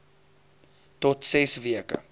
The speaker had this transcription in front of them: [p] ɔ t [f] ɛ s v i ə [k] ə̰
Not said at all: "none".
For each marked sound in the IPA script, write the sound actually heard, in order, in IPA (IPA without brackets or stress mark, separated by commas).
t, s, k